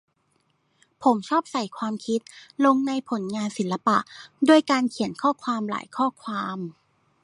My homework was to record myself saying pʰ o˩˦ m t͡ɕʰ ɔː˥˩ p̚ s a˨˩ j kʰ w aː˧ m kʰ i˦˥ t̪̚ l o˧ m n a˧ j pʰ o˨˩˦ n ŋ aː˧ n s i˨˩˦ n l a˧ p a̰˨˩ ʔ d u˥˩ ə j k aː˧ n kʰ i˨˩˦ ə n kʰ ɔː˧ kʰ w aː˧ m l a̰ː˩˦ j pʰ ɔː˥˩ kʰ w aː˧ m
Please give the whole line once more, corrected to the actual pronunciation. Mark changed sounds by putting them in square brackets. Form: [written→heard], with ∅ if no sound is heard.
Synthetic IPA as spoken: pʰ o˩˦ m t͡ɕʰ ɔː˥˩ p̚ s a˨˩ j kʰ w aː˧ m kʰ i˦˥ t̪̚ l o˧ [m→ŋ] n a˧ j pʰ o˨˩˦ n ŋ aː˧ n s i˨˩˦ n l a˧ p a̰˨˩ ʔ d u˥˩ ə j k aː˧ n kʰ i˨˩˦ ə n kʰ [ɔː˧→ɔː˥˩] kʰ w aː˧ m l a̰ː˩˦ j [pʰ→kʰ] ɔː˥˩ kʰ w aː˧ m